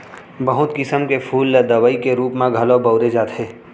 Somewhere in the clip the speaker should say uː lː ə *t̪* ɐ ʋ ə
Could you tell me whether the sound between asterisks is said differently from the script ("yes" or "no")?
yes